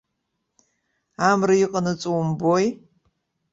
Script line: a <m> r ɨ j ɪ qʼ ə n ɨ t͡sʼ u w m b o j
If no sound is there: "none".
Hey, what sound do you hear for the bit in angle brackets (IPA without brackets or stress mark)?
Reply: m